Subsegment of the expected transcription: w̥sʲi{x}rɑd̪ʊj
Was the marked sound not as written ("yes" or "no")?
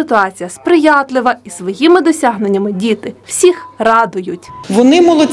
no